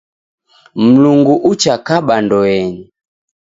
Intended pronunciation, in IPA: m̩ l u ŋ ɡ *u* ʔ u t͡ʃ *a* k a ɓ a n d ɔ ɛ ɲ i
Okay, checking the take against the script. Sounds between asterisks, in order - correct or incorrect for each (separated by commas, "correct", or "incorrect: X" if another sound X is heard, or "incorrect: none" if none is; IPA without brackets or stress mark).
correct, correct